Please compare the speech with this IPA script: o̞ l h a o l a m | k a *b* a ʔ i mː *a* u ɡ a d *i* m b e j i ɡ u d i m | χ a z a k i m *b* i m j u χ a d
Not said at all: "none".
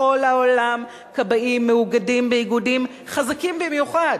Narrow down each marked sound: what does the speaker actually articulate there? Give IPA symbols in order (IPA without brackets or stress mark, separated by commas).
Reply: b, e, i, b